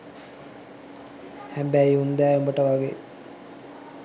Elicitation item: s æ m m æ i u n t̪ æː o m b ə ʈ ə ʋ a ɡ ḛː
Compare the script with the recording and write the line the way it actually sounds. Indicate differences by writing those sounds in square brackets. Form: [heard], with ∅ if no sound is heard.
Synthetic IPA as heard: [h] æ m [b] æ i u n [d̪] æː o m b ə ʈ ə ʋ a ɡ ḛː